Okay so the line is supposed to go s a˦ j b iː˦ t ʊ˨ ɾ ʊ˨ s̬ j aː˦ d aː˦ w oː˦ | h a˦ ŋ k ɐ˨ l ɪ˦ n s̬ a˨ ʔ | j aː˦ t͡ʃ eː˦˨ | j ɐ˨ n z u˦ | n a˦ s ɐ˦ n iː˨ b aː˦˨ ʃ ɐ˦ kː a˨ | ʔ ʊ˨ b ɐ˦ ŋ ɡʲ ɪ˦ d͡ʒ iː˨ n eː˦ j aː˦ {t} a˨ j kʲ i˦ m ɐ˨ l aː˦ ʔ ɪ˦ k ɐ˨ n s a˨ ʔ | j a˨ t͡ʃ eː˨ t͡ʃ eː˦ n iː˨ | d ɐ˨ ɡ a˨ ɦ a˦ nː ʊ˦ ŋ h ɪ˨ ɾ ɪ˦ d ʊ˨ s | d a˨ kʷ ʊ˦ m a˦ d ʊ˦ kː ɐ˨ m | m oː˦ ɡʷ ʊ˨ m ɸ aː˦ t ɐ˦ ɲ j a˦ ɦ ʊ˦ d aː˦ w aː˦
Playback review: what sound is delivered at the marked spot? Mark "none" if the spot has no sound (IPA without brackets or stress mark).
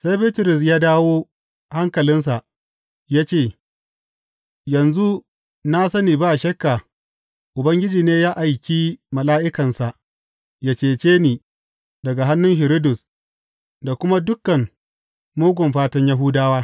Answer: ʔ